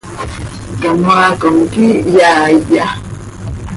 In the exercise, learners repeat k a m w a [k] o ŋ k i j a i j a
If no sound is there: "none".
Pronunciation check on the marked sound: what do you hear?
k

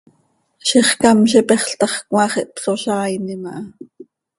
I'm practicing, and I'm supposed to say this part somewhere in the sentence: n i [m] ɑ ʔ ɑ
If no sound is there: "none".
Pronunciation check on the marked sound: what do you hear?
m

